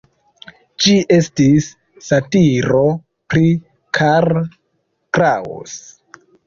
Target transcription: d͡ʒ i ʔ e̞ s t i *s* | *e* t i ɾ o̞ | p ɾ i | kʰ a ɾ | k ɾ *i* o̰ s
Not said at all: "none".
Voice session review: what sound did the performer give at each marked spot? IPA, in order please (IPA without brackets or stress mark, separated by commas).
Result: sː, a, a